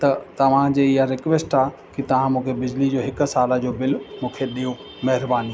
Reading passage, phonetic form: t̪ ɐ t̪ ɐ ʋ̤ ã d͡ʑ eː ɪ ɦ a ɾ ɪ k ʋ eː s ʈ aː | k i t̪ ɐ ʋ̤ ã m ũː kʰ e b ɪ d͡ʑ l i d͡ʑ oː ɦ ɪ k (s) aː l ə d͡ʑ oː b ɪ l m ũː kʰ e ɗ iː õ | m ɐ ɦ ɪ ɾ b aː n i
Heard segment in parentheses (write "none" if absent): s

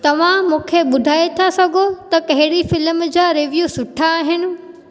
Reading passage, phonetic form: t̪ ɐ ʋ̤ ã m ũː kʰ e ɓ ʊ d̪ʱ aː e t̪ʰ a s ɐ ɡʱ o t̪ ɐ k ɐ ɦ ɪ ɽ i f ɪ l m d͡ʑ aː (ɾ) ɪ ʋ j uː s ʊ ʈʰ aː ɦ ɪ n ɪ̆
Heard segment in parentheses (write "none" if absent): ɾ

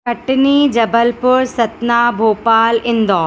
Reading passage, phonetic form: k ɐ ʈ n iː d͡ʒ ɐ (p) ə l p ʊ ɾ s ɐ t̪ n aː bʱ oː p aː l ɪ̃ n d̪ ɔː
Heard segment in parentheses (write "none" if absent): b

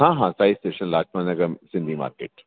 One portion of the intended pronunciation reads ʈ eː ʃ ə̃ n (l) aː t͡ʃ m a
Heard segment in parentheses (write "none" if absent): l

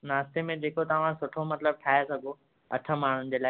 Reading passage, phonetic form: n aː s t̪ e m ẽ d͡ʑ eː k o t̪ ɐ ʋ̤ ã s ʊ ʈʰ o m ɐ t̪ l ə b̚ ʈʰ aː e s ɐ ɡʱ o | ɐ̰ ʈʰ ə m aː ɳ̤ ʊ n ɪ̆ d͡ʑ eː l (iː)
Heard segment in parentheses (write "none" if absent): aː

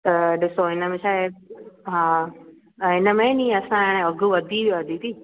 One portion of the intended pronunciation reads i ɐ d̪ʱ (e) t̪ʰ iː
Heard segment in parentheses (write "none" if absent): i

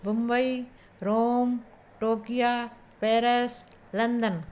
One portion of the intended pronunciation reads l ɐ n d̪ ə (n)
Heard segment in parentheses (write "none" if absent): n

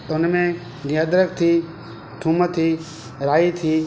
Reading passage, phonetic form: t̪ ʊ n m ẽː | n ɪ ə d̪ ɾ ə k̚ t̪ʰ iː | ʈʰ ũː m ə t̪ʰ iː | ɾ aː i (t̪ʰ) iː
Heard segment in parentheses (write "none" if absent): t̪ʰ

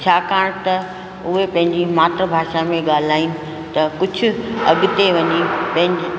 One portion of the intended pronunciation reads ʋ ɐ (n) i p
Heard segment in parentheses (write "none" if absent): ɲ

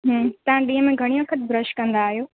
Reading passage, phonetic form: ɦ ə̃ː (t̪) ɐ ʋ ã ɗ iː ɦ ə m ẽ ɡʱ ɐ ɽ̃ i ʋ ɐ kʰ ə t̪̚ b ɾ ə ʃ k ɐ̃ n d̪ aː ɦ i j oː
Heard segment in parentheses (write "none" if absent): t̪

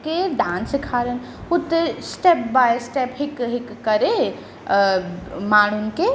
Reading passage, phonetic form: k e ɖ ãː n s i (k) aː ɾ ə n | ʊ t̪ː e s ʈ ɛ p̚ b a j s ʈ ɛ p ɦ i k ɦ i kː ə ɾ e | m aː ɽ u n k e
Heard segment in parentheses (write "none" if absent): kʰ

